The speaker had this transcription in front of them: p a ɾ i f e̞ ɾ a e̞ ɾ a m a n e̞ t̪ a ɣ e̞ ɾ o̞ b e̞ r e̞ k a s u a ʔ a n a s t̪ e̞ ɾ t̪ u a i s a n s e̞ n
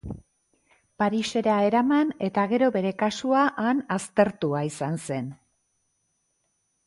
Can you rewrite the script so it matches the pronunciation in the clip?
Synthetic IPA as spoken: p a ɾ i s e̞ ɾ a e̞ ɾ a m a n e̞ t̪ a ɣ e̞ ɾ o̞ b e̞ ɾ e̞ k a s u a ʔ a n a s t̪ e̞ ɾ t̪ u a i s a n s e̞ n